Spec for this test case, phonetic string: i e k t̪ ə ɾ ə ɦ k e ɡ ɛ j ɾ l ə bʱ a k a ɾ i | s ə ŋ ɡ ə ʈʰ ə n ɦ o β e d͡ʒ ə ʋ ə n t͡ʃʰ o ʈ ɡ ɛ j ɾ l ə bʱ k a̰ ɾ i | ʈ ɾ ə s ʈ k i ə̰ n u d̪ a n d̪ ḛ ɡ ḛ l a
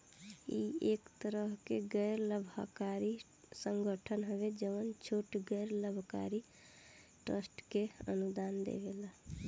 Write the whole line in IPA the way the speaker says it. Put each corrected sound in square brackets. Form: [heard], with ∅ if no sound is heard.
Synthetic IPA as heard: i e k t̪ ə ɾ ə ɦ k e ɡ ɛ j ɾ l ə bʱ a k a ɾ i | s ə ŋ ɡ ə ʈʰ ə n ɦ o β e d͡ʒ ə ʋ ə n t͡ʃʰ o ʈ ɡ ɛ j ɾ l ə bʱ k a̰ ɾ i | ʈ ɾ ə s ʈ k [e] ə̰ n u d̪ a n d̪ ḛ ɡ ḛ l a